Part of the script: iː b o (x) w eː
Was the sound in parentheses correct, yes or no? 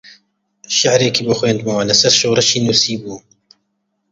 yes